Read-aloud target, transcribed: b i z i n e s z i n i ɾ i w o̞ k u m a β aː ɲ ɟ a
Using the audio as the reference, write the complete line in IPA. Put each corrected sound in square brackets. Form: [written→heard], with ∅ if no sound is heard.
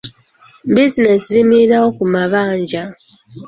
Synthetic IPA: b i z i n e s z i [n→m] i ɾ [i→a] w o̞ k u m a β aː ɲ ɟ a